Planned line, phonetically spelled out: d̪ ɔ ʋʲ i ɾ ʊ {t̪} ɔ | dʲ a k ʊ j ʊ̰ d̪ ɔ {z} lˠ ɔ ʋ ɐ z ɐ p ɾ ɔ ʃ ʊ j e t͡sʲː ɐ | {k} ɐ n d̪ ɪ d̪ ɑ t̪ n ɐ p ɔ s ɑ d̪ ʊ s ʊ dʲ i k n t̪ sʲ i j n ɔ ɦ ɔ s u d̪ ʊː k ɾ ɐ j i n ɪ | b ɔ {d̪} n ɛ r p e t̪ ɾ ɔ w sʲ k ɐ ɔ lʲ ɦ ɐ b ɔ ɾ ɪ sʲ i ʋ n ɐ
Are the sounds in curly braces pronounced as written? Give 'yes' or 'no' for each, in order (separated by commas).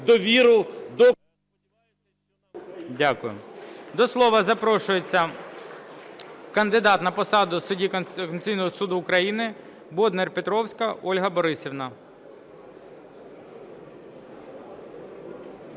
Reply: no, no, yes, yes